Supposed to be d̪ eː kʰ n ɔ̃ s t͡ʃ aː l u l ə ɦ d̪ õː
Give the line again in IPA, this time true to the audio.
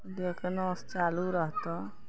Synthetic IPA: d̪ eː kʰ n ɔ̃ s t͡ʃ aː l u ɾ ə ɦ t̪ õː